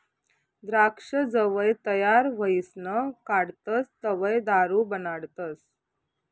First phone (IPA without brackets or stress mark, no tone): d̪